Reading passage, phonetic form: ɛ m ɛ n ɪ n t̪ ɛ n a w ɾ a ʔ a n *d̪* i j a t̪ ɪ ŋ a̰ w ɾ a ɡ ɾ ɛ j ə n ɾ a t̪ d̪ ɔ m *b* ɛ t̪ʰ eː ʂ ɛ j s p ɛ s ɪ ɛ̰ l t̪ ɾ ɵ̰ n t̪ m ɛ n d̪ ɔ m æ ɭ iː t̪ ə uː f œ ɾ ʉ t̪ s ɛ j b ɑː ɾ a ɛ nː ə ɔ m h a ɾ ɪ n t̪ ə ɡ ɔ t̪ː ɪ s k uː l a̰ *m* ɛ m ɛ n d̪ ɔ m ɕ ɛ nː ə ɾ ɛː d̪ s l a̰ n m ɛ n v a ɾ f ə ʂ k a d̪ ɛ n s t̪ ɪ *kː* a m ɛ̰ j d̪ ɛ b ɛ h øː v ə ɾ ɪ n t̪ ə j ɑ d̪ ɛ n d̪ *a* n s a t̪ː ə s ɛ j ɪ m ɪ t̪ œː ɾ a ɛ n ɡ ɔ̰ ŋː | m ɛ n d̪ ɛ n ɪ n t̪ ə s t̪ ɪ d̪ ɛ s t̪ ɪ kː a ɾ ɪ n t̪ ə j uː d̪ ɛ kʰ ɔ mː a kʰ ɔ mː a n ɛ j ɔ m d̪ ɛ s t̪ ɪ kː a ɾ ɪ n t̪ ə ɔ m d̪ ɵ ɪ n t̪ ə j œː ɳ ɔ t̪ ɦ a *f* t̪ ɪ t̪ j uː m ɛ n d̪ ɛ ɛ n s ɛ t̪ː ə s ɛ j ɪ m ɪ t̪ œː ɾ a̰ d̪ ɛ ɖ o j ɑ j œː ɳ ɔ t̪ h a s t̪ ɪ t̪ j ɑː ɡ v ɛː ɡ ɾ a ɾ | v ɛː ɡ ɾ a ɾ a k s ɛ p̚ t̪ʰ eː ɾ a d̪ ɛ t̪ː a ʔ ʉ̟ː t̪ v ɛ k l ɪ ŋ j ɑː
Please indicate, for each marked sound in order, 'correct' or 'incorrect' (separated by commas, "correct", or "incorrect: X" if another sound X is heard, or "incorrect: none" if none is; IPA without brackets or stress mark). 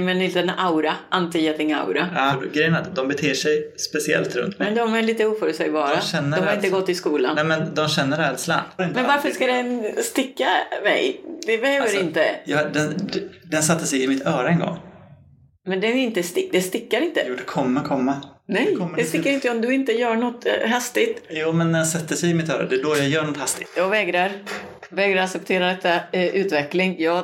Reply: incorrect: t̪, correct, incorrect: n, correct, incorrect: ɛ, incorrect: s